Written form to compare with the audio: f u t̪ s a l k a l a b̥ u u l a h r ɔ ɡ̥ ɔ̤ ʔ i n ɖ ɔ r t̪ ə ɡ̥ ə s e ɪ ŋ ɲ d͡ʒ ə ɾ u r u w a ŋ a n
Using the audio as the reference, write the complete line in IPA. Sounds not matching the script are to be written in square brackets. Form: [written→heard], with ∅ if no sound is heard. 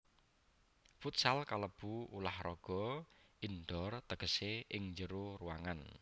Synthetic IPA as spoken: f u t̪ s a l k a l [a→ə] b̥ u u l a h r ɔ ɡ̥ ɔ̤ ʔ i n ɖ ɔ r t̪ ə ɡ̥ ə s e ɪ ŋ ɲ d͡ʒ ə ɾ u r u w a ŋ a n